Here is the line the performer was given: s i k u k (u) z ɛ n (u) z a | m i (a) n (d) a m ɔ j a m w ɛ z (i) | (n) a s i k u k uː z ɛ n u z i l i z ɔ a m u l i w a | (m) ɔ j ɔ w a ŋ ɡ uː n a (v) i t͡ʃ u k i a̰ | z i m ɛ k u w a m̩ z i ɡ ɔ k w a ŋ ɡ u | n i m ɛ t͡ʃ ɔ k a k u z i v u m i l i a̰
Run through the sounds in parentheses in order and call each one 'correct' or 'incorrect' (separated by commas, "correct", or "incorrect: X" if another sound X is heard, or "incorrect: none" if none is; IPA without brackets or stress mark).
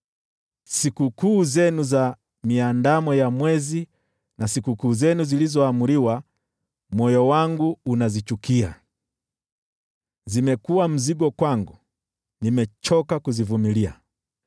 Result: incorrect: uː, correct, correct, correct, correct, correct, correct, incorrect: z